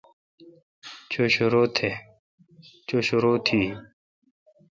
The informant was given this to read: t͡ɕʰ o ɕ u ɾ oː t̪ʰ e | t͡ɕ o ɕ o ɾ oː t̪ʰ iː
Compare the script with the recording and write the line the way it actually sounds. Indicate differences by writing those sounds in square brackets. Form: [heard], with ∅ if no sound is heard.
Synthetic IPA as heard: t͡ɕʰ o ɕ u ɾ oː t̪ʰ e | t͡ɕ o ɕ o ɾ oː t̪ʰ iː

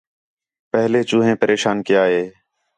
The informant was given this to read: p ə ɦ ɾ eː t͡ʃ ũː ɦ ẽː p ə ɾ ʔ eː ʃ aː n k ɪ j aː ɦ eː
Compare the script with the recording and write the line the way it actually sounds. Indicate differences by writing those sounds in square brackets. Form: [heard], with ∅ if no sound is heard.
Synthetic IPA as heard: p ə ɦ [l] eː t͡ʃ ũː ɦ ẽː p ə ɾ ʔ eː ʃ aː n k ɪ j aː ɦ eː

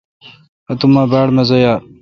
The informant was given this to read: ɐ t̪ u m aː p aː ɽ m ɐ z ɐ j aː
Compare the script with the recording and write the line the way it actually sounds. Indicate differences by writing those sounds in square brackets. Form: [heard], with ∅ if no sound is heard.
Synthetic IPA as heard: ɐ t̪ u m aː [b] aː ɽ m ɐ z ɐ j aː

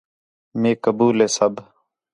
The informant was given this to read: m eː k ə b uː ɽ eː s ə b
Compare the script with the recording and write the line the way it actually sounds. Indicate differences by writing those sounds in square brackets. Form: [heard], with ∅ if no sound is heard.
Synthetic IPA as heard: m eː k ə b uː [l] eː s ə b

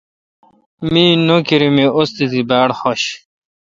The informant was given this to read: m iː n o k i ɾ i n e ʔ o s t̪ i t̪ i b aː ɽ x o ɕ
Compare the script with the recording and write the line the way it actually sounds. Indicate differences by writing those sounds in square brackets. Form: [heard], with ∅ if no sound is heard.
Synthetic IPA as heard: m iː n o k i ɾ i [m] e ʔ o s t̪ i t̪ i b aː ɽ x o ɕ

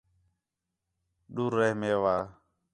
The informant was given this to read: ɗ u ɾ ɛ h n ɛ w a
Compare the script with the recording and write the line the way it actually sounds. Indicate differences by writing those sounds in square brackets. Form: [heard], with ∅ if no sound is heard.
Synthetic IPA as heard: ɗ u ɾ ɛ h [m] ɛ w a

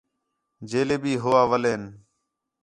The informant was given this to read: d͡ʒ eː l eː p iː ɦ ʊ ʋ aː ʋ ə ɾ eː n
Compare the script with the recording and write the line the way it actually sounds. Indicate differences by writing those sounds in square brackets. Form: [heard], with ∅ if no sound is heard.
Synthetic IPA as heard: d͡ʒ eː l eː [b] iː ɦ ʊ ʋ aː ʋ ə [l] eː n

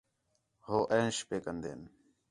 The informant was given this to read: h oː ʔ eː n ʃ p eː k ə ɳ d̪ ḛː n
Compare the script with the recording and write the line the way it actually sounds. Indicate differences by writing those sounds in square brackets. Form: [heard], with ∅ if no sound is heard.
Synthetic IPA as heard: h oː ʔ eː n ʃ p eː k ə [n] d̪ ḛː n

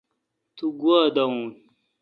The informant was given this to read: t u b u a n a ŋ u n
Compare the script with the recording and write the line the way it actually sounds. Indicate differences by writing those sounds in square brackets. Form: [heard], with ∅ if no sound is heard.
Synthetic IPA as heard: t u [ɡ] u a [d] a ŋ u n

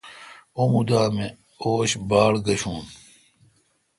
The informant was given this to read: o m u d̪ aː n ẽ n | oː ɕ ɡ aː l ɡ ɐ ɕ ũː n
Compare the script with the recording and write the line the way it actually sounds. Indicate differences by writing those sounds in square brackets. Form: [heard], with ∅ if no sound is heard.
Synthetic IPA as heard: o m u d̪ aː [m] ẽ [∅] | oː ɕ [b] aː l ɡ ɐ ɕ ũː n

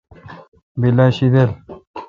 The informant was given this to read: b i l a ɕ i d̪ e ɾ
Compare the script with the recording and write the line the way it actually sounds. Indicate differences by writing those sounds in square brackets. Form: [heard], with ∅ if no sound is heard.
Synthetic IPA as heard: b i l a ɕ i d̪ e [l]

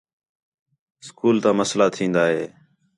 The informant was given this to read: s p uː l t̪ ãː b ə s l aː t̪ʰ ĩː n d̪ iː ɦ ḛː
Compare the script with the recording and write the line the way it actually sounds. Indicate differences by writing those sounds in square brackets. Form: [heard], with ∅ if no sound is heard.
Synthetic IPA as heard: s [k] uː l t̪ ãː [m] ə s l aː t̪ʰ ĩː n d̪ [aː] ɦ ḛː

